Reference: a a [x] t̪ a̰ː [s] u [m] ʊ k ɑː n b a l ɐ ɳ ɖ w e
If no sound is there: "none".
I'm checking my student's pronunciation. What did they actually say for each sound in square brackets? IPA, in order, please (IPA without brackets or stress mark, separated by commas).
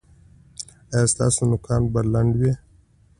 s, s, n